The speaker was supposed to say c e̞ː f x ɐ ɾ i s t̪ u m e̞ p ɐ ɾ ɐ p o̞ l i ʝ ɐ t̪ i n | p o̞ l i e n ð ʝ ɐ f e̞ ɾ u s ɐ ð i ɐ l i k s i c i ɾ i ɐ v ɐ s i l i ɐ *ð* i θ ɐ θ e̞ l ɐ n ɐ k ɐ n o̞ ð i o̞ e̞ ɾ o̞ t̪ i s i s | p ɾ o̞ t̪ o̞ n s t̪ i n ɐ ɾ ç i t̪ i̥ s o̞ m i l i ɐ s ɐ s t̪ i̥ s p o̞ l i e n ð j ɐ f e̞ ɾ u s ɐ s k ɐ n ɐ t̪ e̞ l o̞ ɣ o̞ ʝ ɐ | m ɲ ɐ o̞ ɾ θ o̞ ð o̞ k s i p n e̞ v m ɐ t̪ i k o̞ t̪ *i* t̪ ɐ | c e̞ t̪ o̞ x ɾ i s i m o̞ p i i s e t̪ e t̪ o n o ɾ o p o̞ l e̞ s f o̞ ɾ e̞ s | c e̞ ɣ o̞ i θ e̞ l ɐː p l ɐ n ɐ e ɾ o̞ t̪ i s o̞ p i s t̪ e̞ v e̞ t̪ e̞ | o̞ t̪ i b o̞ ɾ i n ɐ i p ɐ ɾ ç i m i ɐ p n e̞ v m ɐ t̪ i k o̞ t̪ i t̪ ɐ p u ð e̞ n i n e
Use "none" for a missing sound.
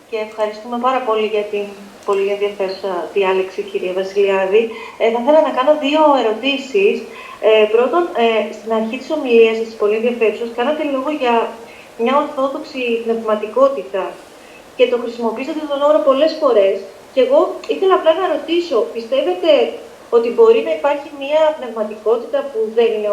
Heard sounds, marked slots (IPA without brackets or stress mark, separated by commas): ð, i